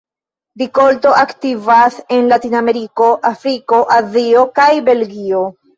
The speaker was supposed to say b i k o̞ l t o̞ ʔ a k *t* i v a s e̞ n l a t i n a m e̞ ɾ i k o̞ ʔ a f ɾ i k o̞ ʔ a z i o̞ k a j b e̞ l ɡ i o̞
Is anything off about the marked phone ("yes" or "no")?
no